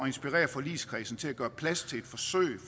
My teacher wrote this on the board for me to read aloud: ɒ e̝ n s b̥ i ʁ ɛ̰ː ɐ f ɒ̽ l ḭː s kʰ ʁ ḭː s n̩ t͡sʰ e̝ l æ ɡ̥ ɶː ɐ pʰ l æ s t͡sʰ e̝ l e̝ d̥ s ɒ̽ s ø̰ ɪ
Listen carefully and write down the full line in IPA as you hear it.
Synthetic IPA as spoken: ɒ e̝ n s b̥ i ʁ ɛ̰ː ɐ f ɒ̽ l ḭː s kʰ ʁ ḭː s n̩ t͡sʰ e̝ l æ ɡ̥ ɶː ɐ pʰ l æ s t͡sʰ e̝ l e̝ d̥ f ɒ̽ s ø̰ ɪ